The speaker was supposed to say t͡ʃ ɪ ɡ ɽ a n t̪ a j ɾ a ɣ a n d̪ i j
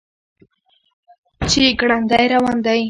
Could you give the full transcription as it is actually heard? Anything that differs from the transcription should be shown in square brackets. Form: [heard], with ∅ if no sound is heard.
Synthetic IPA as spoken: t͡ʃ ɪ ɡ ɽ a n [d̪] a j ɾ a [w] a n d̪ [a] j

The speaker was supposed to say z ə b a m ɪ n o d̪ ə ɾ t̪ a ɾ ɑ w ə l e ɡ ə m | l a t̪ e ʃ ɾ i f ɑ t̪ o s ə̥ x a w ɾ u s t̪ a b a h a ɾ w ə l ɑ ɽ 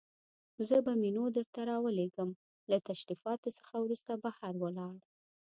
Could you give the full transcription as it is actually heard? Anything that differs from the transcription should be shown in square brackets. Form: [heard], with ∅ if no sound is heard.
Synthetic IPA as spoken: z ə b a m [i] n o d̪ ə ɾ t̪ a ɾ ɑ w ə l e ɡ ə m | l a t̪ [a] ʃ ɾ i f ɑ t̪ o s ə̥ x a w ɾ u s t̪ a b a h a ɾ w ə l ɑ ɽ

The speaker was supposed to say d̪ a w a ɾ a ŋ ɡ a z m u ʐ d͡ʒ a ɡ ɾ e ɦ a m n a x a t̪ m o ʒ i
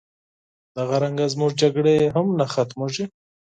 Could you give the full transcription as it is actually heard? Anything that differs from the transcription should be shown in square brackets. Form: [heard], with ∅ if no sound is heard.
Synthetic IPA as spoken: d̪ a [ɣ] a ɾ a ŋ ɡ a z m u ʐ d͡ʒ a ɡ [ɽ] e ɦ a m n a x a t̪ m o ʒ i

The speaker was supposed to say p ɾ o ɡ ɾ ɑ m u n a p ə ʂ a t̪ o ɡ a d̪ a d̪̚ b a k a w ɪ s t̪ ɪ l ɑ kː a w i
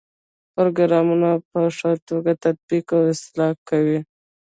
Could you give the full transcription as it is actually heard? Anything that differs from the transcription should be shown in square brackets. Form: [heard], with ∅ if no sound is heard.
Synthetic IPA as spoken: p ɾ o ɡ ɾ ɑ m u n a p ə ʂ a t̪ o ɡ a [t̪] a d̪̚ b [i] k a w ɪ s t̪ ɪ l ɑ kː a w i

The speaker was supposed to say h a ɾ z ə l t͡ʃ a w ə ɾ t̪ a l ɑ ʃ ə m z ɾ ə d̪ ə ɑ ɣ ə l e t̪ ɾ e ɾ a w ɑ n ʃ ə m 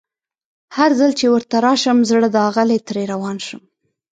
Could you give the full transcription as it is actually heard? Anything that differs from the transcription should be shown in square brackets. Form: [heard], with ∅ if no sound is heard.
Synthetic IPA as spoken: h a ɾ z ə l t͡ʃ [e] w ə ɾ t̪ a [ɾ] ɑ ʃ ə m z [ɽ] ə d̪ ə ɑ ɣ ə l e t̪ ɾ e ɾ a w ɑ n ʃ ə m

